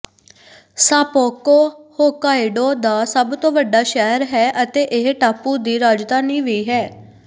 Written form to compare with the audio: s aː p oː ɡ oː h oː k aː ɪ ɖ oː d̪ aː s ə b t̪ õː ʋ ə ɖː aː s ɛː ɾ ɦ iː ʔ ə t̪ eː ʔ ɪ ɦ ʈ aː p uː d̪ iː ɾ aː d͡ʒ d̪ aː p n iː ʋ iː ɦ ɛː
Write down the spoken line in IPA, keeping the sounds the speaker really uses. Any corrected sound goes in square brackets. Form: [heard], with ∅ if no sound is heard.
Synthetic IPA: s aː p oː [k] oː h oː k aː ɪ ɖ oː d̪ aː s ə b t̪ õː ʋ ə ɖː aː [ʃ] ɛː ɾ ɦ [ɛː] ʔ ə t̪ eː ʔ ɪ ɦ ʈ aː p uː d̪ iː ɾ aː d͡ʒ d̪ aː [∅] n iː ʋ iː ɦ ɛː